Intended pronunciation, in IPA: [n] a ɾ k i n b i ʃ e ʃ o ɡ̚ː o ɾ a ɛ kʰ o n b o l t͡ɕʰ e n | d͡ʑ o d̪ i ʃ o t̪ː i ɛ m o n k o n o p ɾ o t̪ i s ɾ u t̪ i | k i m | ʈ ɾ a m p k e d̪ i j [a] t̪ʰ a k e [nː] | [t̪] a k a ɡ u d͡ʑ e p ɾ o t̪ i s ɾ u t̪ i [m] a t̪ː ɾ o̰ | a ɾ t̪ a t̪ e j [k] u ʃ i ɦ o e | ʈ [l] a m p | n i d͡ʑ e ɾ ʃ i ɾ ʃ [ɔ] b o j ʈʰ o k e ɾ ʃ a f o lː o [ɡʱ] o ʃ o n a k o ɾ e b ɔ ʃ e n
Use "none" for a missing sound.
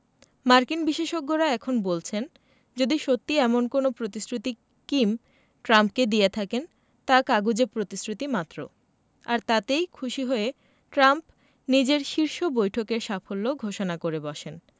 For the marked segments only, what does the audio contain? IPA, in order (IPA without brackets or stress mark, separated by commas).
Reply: m, e, n, t̪, m, kʰ, ɾ, o, ɡʱ